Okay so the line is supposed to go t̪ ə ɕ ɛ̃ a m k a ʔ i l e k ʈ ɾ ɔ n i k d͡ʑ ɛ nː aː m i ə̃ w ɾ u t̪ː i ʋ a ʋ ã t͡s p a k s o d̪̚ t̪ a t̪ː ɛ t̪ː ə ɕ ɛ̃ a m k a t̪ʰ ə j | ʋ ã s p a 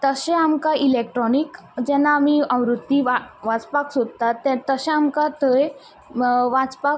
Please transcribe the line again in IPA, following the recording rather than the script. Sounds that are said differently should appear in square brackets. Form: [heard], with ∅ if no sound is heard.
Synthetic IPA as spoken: t̪ ə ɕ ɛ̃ a m k a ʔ i l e k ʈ ɾ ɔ n i k d͡ʑ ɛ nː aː m i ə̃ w ɾ u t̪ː i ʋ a ʋ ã t͡s p a k s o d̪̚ t̪ a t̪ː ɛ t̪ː ə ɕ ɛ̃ a m k a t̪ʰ ə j | ʋ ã [t͡s] p a